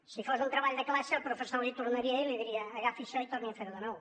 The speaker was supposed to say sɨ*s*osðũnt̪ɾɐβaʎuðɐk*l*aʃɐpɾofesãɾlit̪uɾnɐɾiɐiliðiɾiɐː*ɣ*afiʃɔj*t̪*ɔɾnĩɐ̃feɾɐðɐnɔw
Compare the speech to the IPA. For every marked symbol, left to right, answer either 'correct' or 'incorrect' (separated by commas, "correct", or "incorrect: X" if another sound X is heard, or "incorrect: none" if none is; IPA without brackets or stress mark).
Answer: incorrect: f, correct, correct, correct